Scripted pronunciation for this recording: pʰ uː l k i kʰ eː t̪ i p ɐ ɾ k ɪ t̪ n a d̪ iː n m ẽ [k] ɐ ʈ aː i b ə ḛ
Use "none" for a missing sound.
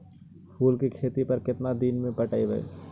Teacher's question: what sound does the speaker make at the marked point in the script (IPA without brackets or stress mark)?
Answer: p